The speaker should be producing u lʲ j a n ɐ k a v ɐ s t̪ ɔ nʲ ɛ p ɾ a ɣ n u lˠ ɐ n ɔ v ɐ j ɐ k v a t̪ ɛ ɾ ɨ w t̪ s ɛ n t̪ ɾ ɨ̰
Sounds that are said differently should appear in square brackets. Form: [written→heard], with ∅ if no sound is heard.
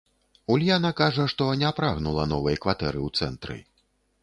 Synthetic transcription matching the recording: u lʲ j a n ɐ k a [v→ʐ] ɐ [s→ʂ] t̪ ɔ nʲ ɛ p ɾ a ɣ n u lˠ ɐ n ɔ v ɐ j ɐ k v a t̪ ɛ ɾ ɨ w t̪ s ɛ n t̪ ɾ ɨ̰